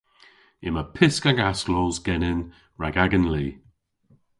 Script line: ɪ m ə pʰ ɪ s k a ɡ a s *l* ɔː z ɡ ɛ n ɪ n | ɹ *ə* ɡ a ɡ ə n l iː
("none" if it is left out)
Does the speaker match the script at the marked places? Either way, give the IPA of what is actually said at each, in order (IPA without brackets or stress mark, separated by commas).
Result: l, a